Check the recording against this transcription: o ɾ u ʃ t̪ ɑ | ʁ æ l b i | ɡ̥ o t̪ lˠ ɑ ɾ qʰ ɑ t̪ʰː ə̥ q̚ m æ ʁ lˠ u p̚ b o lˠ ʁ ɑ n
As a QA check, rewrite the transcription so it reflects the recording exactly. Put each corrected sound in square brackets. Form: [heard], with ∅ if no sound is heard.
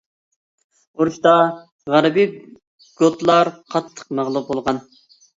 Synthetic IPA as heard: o ɾ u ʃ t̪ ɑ | ʁ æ [ɾ] b i | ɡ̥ o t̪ lˠ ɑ ɾ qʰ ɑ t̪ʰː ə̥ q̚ m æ ʁ lˠ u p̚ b o lˠ ʁ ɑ n